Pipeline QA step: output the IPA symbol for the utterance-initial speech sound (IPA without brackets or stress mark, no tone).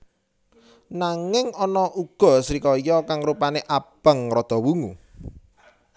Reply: n